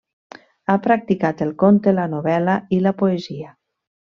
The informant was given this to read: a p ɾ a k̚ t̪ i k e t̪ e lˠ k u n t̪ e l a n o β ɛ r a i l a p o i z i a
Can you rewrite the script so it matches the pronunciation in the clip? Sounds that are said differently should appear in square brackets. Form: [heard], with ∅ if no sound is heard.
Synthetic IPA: a p ɾ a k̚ t̪ i k [a] t̪ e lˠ k [o] n t̪ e l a n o β ɛ [l] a i l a p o [e] z i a